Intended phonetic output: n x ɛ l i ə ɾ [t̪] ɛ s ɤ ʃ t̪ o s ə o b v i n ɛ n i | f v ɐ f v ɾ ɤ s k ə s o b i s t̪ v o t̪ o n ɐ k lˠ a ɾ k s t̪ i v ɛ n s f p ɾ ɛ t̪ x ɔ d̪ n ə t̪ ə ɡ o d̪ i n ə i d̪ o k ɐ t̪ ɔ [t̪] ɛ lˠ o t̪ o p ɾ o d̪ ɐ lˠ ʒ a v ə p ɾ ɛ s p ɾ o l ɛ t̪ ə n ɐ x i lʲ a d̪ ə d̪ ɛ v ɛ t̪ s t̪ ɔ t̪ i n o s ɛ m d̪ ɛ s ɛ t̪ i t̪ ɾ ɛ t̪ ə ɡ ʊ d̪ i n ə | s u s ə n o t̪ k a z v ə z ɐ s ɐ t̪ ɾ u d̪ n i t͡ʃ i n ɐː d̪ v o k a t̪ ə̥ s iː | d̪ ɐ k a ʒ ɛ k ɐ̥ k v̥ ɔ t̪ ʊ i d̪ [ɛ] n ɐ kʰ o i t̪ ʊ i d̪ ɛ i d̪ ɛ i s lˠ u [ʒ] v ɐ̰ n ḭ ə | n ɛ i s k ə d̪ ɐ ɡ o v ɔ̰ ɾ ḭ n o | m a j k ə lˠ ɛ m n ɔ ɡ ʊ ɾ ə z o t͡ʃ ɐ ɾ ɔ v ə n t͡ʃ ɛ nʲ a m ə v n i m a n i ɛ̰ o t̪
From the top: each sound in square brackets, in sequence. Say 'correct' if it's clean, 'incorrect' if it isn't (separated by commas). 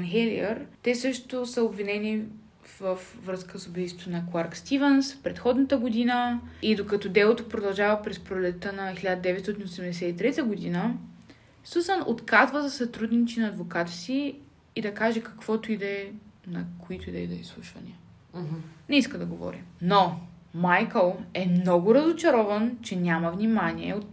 correct, incorrect, correct, incorrect